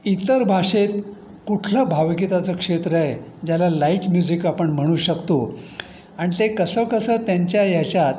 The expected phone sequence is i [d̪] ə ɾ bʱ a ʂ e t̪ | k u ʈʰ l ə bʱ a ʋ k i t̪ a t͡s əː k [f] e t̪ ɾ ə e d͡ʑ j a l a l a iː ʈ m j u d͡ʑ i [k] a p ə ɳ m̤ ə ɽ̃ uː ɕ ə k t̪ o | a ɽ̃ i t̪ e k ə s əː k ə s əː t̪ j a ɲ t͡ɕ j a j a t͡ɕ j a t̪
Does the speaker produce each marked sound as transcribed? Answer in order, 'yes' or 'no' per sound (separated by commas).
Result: no, no, yes